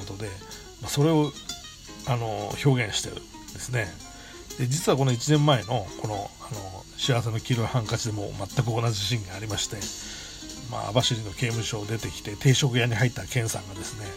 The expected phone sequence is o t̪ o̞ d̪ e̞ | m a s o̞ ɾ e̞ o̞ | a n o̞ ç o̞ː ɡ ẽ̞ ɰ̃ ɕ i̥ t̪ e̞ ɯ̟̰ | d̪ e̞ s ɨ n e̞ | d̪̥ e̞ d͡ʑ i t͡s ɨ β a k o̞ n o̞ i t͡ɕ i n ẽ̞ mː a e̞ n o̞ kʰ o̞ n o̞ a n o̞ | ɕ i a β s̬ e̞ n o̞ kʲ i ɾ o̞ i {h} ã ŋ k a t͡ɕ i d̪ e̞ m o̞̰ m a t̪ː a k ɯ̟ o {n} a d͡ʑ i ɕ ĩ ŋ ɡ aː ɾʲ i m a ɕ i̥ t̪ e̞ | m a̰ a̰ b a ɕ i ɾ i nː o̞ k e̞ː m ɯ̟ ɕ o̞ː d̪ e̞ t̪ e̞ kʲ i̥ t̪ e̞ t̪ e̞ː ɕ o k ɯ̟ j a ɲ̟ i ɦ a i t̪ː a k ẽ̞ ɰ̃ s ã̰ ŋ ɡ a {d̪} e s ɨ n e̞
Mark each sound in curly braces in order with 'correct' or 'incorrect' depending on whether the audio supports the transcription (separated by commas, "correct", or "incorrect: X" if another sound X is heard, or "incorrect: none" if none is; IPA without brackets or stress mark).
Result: correct, correct, correct